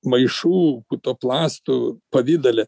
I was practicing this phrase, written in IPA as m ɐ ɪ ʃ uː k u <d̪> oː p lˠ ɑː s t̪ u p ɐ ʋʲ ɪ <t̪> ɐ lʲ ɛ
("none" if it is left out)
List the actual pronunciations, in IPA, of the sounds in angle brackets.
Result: t̪, d̪

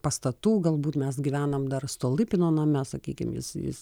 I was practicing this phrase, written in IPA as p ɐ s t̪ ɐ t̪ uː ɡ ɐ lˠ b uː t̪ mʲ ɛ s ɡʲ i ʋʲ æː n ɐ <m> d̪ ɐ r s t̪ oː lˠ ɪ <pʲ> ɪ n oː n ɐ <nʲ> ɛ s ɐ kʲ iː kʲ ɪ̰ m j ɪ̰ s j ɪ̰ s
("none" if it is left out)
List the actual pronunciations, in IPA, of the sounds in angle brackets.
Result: m, pʲ, mʲ

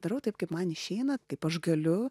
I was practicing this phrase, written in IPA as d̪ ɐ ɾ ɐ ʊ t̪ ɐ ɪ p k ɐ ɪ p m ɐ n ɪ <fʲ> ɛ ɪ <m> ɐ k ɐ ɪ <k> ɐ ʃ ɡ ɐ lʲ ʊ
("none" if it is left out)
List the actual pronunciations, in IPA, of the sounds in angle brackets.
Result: ʃʲ, n, p

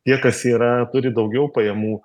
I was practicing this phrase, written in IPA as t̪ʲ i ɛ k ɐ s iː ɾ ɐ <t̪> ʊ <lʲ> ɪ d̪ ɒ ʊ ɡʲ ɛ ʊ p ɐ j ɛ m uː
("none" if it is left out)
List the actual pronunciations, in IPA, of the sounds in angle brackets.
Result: t̪, ɾʲ

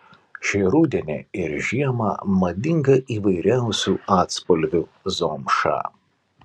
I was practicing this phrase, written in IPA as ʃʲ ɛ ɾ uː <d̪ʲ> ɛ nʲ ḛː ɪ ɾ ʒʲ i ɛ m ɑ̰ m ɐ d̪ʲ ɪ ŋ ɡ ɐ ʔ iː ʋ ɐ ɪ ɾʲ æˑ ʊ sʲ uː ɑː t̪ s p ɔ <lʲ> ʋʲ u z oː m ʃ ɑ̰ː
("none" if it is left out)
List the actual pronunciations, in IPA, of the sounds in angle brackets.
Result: d̪ʲ, lʲ

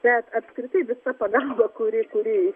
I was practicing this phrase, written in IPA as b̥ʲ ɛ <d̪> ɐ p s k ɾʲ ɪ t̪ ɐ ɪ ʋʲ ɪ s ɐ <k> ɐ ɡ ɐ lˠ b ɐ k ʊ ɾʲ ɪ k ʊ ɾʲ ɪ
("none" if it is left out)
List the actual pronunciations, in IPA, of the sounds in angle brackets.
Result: t̪, p

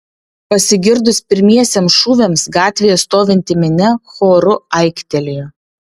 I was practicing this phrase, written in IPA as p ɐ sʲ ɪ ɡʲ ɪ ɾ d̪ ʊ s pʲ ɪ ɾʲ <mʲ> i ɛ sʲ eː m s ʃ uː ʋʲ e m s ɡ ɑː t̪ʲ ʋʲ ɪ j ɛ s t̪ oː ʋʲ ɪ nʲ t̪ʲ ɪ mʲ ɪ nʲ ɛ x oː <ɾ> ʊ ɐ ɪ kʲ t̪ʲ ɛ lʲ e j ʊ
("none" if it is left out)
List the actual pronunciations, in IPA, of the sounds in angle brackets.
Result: mʲ, ɾ

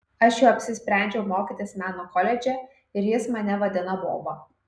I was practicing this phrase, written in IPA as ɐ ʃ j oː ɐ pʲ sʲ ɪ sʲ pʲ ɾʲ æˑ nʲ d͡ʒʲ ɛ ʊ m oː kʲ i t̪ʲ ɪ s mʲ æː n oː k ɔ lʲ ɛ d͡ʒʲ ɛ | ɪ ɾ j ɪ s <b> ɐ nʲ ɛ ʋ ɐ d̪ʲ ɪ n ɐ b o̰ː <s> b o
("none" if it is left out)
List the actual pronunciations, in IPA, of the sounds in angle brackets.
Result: m, none

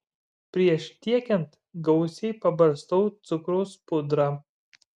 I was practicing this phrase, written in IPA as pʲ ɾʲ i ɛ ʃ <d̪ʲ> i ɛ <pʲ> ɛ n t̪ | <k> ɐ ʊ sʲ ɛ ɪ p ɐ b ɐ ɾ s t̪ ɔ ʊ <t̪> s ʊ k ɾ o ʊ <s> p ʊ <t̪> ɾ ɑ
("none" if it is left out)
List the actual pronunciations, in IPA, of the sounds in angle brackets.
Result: t̪ʲ, kʲ, ɡ, t̪, s, d̪

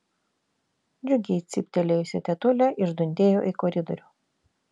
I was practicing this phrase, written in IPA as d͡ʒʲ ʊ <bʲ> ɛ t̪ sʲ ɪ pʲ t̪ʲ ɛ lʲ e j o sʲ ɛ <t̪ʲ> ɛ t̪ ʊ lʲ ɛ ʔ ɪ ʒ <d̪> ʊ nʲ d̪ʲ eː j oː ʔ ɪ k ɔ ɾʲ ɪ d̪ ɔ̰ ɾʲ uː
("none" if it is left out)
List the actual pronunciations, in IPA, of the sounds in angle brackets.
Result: ɡʲ, t̪ʲ, d̪

